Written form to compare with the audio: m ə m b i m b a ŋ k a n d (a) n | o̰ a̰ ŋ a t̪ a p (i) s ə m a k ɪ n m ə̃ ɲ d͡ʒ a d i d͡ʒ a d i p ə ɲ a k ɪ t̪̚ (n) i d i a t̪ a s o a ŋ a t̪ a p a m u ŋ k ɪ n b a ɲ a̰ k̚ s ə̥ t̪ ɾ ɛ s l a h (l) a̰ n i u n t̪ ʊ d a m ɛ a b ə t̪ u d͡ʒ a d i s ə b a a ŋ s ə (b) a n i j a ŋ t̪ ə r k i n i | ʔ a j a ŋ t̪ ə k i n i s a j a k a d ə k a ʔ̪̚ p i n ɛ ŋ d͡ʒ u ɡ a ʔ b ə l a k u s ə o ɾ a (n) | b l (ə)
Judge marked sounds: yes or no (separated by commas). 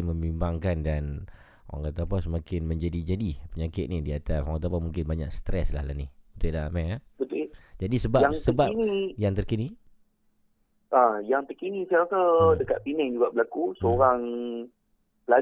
yes, no, yes, yes, yes, no, no